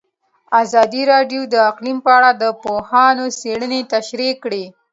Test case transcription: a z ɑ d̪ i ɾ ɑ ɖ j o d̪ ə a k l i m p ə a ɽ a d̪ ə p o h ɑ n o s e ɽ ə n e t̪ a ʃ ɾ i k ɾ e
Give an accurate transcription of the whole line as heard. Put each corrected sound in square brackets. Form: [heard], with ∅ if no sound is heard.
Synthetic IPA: a z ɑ d̪ i ɾ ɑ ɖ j o d̪ ə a [q] l i m p ə a ɽ a d̪ ə p o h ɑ n o s e ɽ ə n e t̪ a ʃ ɾ i k [ɽ] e